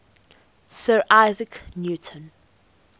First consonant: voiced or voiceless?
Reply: voiceless